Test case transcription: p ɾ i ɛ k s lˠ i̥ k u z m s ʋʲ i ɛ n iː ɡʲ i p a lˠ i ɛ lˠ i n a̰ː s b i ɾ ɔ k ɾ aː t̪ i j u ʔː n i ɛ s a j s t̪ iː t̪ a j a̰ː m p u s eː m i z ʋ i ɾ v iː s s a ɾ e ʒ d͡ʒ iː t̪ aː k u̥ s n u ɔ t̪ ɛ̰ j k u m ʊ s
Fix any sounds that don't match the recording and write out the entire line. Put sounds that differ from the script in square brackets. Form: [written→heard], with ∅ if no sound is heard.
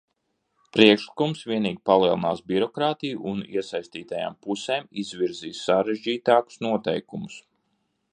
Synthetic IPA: p ɾ i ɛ k [s→ʃ] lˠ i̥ k u [z→∅] m s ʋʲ i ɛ n iː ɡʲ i p a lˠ i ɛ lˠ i n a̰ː s b i ɾ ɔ k ɾ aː t̪ i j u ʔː n i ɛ s a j s t̪ iː t̪ a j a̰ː m p u s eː m i z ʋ i ɾ [v→z] iː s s a ɾ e ʒ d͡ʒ iː t̪ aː k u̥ s n u ɔ t̪ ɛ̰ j k u m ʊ s

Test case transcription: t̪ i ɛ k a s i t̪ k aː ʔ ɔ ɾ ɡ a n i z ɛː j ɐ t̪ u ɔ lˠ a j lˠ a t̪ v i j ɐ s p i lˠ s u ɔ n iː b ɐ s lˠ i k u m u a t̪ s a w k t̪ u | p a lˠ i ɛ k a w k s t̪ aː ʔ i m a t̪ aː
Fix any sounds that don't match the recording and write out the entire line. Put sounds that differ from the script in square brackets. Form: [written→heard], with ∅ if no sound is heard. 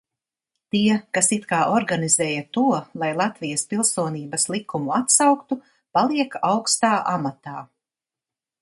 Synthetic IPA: t̪ i ɛ k a s i t̪ k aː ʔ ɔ ɾ ɡ a n i z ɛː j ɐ t̪ u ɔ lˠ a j lˠ a t̪ v i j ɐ s p i lˠ s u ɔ n iː b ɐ s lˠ i k u m u a t̪ s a w k t̪ u | p a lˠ i ɛ k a w k s t̪ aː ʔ [i→a] m a t̪ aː

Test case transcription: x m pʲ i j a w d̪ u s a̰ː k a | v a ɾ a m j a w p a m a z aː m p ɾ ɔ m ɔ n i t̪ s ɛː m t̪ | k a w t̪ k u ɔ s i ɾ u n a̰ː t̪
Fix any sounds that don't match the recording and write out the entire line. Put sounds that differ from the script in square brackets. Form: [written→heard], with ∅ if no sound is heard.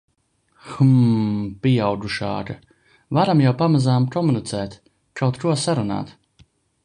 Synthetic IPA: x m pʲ i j a w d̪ u [s→ʃ] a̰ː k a | v a ɾ a m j a w p a m a z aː m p ɾ ɔ m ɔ n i t̪ s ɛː [m→∅] t̪ | k a w t̪ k u ɔ s [i→a] ɾ u n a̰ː t̪

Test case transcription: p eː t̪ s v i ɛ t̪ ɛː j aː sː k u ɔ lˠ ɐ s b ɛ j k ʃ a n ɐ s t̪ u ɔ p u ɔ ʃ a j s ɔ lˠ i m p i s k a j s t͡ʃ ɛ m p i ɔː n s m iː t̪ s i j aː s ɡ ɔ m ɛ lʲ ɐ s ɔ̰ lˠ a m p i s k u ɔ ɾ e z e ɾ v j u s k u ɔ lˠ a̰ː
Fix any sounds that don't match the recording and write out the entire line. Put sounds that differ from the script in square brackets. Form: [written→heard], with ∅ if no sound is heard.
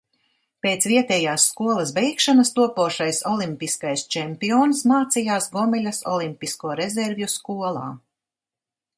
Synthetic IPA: p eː t̪ s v i ɛ t̪ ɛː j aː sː k u ɔ lˠ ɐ s b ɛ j k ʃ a n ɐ s t̪ u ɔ p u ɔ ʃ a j s ɔ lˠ i m p i s k a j s t͡ʃ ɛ m p i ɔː n s m [iː→aː] t̪ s i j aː s ɡ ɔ m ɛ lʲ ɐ s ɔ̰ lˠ [a→i] m p i s k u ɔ ɾ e z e ɾ v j u s k u ɔ lˠ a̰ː

